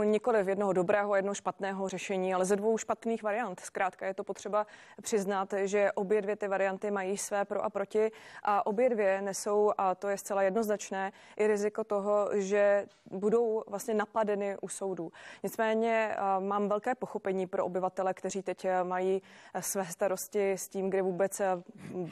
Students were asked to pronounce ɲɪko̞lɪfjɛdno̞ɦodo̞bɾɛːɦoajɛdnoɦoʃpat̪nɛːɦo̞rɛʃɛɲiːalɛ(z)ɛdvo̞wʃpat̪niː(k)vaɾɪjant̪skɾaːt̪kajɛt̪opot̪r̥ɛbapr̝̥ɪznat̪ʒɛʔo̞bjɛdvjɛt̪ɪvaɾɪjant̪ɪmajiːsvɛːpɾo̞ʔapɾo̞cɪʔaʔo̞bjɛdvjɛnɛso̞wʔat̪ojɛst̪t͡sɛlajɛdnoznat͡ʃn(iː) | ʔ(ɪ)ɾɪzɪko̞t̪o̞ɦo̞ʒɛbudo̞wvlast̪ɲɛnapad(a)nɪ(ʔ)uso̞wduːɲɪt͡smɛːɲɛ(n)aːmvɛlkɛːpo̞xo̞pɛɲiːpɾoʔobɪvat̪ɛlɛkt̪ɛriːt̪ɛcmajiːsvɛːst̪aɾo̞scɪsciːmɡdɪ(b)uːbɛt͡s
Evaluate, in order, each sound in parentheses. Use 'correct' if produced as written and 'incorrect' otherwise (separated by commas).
correct, incorrect, incorrect, correct, incorrect, correct, incorrect, incorrect